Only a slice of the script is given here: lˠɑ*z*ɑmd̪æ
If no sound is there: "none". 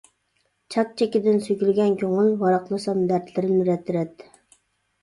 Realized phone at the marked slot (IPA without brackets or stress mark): s